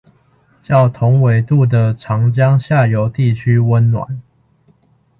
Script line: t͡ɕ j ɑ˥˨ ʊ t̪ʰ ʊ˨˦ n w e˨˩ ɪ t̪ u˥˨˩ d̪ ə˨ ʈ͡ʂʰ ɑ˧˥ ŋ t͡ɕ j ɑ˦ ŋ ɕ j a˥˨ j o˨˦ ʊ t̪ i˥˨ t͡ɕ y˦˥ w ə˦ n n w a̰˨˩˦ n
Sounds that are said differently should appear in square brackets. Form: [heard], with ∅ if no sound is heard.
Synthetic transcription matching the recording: t͡ɕ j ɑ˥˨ ʊ t̪ʰ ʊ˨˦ [ŋ] w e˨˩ ɪ t̪ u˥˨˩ d̪ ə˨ ʈ͡ʂʰ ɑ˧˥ ŋ t͡ɕ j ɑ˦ ŋ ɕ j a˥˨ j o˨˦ ʊ t̪ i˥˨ [t͡ɕʰ] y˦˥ w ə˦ n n w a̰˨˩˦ n